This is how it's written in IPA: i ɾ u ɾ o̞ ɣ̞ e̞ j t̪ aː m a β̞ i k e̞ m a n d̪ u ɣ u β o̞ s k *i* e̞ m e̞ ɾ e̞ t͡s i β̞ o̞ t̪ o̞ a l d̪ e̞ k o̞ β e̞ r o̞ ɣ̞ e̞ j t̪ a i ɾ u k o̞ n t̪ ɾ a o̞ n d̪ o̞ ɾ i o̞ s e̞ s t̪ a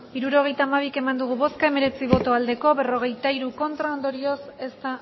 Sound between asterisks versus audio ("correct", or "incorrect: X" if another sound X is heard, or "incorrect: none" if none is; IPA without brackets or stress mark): incorrect: a